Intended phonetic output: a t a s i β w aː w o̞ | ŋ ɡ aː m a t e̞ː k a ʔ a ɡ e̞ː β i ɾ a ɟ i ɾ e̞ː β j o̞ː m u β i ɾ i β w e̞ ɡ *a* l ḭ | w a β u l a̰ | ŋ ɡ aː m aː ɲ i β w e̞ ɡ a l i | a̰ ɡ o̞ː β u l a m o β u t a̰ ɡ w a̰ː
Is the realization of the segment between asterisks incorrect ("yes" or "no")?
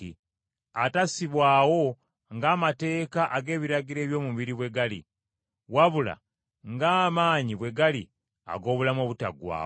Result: no